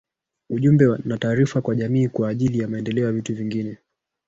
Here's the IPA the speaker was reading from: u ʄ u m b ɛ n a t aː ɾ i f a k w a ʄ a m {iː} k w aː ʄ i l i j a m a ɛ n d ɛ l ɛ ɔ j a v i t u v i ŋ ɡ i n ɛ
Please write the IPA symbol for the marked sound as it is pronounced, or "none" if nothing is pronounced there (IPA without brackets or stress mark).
iː